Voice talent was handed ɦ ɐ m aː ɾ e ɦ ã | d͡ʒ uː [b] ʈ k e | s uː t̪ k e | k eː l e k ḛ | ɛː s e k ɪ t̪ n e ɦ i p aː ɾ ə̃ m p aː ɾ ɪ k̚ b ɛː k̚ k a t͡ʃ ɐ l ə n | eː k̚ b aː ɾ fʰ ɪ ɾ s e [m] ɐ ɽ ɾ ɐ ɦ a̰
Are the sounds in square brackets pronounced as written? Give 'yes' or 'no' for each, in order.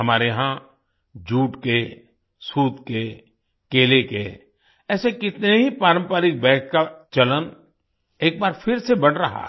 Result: no, no

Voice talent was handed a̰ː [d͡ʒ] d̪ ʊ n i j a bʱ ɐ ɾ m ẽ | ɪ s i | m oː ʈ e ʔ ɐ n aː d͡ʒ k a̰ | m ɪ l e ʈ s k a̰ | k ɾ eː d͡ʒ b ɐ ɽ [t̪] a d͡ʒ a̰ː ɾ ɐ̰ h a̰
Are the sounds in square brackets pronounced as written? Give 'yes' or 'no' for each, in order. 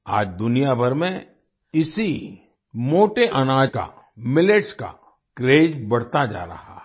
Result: yes, yes

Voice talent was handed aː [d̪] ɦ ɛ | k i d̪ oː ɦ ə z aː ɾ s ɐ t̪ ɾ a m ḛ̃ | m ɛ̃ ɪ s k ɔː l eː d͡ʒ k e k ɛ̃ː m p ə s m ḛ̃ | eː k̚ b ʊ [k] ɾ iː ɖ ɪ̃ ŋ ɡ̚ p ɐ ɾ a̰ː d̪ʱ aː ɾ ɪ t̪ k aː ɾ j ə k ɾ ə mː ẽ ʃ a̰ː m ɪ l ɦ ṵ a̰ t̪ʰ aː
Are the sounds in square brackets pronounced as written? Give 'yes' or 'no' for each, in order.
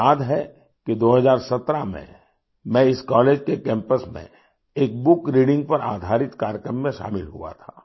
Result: yes, yes

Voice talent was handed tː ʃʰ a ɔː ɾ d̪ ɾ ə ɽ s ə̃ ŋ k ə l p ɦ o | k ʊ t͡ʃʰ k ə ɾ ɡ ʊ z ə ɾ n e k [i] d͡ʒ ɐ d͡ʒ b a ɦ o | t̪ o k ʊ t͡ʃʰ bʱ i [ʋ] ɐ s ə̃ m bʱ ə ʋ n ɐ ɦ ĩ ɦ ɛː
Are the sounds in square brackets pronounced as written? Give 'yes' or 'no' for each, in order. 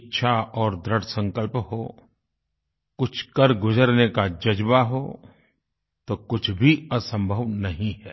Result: no, no

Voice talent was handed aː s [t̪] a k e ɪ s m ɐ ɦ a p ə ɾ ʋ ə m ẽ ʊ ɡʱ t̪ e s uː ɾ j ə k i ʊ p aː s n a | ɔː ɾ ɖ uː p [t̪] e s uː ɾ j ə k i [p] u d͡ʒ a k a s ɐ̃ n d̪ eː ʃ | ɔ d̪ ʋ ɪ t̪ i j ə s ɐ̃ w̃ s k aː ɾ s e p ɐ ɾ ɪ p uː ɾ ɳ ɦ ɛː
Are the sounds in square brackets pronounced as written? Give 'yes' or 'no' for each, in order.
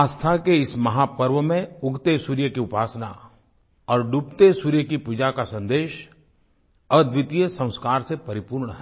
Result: no, yes, yes

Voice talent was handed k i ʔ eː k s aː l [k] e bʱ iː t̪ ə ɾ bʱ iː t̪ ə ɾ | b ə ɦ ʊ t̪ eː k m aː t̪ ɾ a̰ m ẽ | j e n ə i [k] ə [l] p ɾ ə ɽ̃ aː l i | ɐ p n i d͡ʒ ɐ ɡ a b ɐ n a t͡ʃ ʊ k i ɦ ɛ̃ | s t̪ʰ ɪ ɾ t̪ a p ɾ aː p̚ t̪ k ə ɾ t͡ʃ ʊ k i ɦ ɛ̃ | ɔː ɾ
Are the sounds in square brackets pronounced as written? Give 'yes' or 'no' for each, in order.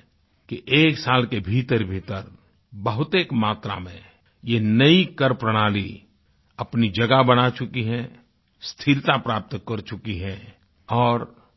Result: yes, yes, no

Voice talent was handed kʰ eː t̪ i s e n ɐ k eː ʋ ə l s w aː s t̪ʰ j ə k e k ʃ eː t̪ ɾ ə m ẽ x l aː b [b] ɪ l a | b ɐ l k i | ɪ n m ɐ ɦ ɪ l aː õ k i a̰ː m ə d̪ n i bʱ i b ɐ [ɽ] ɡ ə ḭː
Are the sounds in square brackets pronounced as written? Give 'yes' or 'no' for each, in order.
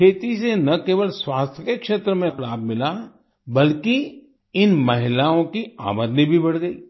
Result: no, yes

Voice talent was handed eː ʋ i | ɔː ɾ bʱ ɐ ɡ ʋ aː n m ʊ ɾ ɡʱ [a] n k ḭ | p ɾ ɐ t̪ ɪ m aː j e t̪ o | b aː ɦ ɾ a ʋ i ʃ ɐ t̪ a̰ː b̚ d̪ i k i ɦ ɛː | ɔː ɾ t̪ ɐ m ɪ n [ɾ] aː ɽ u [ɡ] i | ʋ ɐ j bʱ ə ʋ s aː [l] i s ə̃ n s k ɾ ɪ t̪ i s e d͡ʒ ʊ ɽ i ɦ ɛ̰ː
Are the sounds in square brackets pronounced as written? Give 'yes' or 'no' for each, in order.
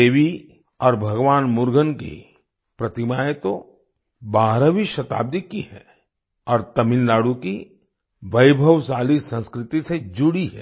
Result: no, no, no, yes

